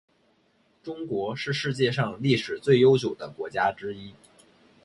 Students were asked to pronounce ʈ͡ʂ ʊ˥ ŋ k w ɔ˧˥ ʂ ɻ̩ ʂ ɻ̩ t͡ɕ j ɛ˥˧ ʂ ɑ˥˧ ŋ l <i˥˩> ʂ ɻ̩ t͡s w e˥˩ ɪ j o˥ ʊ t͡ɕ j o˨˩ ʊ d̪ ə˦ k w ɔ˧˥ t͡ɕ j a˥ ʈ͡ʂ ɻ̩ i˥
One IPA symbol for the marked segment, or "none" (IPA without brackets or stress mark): i˥˩